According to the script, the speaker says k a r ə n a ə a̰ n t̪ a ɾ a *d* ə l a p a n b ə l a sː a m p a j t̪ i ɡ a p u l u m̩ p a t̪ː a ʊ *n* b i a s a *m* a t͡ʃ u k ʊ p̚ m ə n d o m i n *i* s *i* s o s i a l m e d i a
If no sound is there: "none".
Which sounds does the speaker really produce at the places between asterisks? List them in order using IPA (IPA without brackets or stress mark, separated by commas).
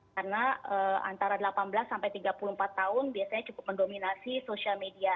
d, n, ɲ, a, i